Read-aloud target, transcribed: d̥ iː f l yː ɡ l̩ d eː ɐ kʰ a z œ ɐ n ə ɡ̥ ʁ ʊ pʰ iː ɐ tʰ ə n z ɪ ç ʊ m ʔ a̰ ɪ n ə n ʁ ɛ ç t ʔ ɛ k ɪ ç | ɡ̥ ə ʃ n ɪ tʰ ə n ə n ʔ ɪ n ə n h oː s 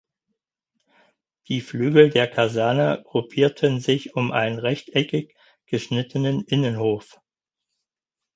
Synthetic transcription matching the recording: d̥ iː f l yː ɡ l̩ d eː ɐ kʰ a z ɛ ɐ n ə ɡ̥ ʁ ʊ pʰ iː ɐ tʰ ə n z ɪ ç ʊ m ʔ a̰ ɪ n ə n ʁ ɛ ç t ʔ ɛ k ɪ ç | ɡ̥ ə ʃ n ɪ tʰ ə n ə n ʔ ɪ n ə n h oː f